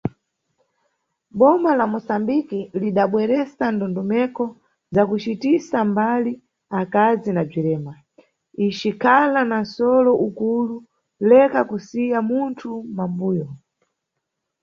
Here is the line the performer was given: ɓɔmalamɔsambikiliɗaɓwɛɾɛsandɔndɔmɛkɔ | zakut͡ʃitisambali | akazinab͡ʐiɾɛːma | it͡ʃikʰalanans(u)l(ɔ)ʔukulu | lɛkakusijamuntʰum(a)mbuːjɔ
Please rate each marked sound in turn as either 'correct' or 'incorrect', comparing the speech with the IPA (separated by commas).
incorrect, correct, correct